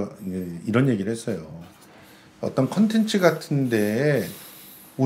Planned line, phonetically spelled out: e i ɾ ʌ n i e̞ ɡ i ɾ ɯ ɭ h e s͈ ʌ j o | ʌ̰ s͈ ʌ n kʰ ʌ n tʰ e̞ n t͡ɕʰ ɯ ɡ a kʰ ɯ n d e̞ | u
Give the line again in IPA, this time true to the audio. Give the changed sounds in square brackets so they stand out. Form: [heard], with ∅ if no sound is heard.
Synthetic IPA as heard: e i ɾ ʌ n [j] e̞ ɡ i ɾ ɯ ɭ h e s͈ ʌ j o | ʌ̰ [t͈] ʌ n kʰ ʌ n tʰ e̞ n t͡ɕʰ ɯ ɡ a [tʰ] ɯ n d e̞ | u